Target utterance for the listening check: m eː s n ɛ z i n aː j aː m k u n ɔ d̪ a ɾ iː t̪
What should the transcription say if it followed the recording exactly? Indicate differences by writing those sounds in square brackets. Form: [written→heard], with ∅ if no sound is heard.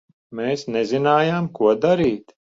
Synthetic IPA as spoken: m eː s n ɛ z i n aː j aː m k u [n→∅] ɔ d̪ a ɾ iː t̪